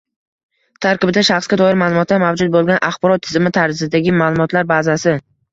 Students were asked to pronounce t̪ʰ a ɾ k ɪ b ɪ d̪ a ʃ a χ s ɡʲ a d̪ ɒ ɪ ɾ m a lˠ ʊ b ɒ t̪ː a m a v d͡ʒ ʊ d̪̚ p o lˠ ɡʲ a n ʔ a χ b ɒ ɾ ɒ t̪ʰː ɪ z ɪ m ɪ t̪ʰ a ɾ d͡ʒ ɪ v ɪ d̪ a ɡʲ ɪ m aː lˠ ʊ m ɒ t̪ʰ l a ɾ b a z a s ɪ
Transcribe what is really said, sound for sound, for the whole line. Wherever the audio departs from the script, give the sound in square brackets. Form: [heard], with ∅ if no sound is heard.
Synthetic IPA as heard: t̪ʰ a ɾ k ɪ b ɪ d̪ a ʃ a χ s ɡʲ a d̪ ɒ ɪ ɾ m a lˠ ʊ [m] ɒ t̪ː a m a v d͡ʒ ʊ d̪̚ [b] o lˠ ɡʲ a n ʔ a χ b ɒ ɾ ɒ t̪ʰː ɪ z ɪ m ɪ t̪ʰ a ɾ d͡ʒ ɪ [z] ɪ d̪ a ɡʲ ɪ m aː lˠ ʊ m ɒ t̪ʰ l a ɾ b a z a s ɪ

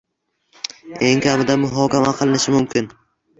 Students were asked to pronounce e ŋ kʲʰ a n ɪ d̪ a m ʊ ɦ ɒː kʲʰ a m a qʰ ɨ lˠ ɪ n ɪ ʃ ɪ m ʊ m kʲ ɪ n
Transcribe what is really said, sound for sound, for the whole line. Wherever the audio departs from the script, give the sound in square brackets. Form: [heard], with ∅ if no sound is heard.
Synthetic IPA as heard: e ŋ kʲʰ a [m] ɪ d̪ a m ʊ ɦ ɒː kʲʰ a m a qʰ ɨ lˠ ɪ n ɪ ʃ ɪ m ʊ m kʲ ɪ n

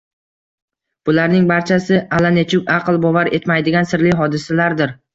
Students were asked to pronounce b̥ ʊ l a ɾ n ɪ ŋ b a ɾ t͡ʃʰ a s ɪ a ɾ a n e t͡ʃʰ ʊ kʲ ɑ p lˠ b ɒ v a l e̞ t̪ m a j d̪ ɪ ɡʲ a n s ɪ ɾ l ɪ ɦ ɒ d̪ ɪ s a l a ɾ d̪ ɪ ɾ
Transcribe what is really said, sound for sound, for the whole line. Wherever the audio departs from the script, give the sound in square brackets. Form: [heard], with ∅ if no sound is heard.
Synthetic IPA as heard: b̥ ʊ l a ɾ n ɪ ŋ b a ɾ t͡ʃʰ a s ɪ a [l] a n e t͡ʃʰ ʊ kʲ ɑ [q] lˠ b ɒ v a [ɾ] e̞ t̪ m a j d̪ ɪ ɡʲ a n s ɪ ɾ l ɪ ɦ ɒ d̪ ɪ s a l a ɾ d̪ ɪ ɾ

